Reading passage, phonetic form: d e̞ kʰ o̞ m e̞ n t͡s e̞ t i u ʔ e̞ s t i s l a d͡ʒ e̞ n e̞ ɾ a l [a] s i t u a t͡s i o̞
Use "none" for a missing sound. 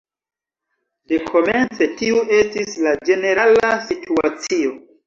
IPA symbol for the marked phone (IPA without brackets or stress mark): a